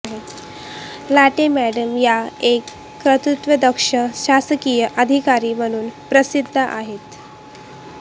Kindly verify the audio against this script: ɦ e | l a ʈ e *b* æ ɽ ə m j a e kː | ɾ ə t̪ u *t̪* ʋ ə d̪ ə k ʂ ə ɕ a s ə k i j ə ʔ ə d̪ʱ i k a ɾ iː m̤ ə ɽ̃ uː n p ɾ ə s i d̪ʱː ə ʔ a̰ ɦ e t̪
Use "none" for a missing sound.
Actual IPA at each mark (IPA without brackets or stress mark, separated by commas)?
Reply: m, t̪